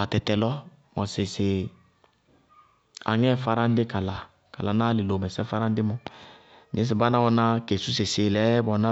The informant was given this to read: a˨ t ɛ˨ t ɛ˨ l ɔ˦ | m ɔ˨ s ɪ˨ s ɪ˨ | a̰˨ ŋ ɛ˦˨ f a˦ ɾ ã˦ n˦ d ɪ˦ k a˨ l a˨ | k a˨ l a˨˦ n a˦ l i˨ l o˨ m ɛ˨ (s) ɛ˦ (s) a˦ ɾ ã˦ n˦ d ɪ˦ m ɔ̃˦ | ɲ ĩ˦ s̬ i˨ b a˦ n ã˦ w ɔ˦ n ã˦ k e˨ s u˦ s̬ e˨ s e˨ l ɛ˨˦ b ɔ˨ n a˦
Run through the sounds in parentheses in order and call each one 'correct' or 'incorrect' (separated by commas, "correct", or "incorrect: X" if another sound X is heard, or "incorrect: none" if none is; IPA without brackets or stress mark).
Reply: correct, incorrect: f